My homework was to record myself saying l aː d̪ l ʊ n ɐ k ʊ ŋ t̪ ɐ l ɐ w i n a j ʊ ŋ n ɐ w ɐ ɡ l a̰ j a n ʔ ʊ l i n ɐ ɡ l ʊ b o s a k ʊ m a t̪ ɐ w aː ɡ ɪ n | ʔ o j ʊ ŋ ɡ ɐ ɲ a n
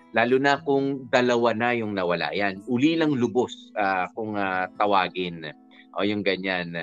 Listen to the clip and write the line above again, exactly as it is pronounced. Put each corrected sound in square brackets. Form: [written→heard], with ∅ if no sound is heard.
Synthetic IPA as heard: l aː [d̪→∅] l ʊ n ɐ k ʊ ŋ [t̪→d̪] ɐ l ɐ w [i→a] n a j ʊ ŋ n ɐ w ɐ [ɡ→∅] l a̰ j a n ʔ ʊ l i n ɐ [ɡ→ŋ] l ʊ b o s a k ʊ [m→ŋ] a t̪ ɐ w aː ɡ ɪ n | ʔ o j ʊ ŋ ɡ ɐ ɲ a n